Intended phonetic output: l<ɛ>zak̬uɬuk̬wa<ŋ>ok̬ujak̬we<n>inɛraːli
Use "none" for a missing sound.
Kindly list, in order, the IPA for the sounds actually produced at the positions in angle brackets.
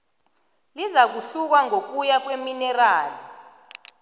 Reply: i, ŋ, m

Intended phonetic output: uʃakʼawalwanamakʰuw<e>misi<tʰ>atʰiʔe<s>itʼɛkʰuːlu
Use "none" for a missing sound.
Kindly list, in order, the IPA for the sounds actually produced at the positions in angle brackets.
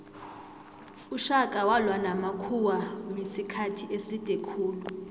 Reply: a, kʰ, s

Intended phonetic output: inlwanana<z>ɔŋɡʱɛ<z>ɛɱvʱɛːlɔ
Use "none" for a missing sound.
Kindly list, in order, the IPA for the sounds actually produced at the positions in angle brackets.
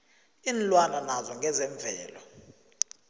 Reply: z, z

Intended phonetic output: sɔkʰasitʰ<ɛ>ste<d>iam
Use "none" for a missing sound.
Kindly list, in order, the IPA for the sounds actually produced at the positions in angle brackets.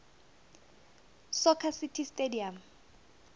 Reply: i, d

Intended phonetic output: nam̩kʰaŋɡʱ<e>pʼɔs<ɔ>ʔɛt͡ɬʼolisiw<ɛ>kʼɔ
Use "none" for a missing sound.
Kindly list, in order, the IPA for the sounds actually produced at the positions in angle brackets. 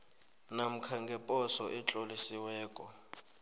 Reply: ɛ, ɔ, ɛː

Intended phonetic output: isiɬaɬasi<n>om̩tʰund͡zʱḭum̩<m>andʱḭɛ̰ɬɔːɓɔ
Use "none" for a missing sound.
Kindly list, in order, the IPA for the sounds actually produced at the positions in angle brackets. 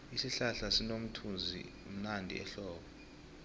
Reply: n, n

